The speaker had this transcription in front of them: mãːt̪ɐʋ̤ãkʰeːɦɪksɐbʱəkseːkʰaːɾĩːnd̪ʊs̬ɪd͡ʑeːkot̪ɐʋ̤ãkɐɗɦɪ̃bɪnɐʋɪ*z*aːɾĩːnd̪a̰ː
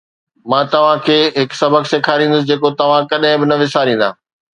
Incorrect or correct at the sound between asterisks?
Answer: incorrect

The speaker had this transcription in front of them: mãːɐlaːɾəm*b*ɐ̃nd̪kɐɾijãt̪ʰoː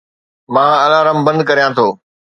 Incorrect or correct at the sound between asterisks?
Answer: correct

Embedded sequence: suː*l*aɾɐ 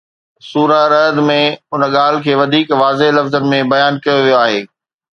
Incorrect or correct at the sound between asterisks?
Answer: incorrect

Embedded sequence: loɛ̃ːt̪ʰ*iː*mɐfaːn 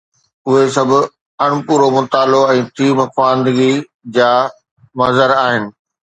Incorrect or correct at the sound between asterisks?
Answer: correct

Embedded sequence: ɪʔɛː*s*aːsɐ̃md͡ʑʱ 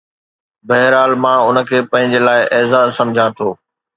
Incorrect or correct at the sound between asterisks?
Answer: incorrect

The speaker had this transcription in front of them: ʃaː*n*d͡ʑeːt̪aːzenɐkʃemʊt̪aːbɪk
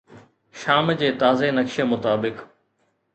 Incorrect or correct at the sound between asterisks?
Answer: incorrect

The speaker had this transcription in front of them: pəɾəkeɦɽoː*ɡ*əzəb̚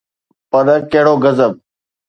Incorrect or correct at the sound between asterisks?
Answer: correct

